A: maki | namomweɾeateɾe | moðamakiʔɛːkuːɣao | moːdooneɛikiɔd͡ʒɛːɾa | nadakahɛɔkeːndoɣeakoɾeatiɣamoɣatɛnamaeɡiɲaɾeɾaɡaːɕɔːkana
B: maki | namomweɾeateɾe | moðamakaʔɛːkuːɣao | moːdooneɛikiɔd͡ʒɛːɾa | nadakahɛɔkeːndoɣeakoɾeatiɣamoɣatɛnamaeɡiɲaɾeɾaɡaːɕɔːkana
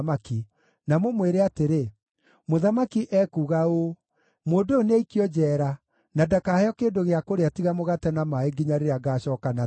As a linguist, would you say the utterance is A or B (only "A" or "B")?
A